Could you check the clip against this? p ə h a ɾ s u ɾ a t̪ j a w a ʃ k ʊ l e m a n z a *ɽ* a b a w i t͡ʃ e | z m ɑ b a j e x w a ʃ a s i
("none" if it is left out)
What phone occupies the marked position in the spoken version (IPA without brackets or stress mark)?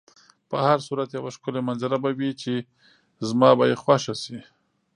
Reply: ɾ